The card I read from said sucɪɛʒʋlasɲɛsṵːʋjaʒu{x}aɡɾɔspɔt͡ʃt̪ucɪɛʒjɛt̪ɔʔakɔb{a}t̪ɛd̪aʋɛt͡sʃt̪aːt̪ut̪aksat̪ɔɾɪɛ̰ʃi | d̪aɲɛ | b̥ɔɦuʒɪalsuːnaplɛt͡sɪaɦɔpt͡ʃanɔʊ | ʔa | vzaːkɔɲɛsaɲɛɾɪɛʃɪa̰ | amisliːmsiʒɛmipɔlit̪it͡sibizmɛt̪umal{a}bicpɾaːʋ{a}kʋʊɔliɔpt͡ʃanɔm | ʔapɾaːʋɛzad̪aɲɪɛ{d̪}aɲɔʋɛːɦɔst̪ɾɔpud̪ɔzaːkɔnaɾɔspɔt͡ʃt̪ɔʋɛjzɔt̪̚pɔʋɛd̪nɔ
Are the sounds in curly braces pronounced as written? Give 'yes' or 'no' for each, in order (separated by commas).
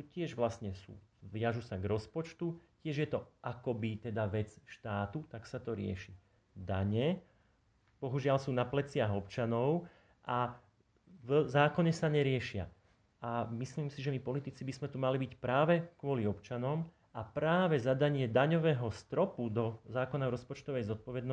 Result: no, no, no, no, yes